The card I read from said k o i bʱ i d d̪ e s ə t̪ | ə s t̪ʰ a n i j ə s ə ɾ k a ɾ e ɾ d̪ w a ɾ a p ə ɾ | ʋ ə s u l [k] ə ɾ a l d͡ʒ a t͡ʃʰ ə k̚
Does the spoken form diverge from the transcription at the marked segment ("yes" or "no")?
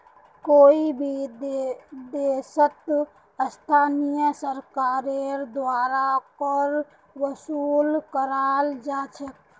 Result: no